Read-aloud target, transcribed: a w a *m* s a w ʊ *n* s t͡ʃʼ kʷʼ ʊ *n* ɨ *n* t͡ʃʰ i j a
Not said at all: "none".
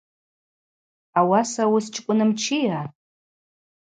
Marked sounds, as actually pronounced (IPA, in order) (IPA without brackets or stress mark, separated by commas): none, none, n, m